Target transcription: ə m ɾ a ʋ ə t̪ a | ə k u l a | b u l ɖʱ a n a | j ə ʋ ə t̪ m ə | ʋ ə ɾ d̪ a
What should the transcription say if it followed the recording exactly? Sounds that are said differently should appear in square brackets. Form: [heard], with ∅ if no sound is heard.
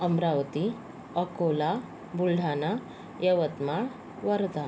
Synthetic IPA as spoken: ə m ɾ a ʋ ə t̪ [i] | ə k [o] l a | b u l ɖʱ a n a | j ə ʋ ə t̪ m [a] | ʋ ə ɾ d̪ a